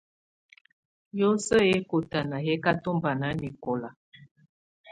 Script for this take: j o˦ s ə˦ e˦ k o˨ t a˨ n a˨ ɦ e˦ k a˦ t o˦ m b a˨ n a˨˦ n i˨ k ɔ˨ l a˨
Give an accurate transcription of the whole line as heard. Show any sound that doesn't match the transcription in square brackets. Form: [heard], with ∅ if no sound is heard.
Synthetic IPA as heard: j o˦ s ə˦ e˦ k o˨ t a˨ n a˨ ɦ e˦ k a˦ t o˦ m b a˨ n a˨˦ n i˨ k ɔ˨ l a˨